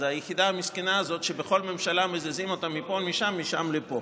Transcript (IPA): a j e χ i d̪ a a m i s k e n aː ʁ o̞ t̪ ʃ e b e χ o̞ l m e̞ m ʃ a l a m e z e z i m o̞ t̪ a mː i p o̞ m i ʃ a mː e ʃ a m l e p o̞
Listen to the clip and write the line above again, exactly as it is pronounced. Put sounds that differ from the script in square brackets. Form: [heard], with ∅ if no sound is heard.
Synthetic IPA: a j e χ i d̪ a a m i s k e n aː [z] o̞ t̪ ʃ e b e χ o̞ l m e̞ m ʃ a l a m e z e z i m o̞ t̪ a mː i p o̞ m i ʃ a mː [i] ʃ a m l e p o̞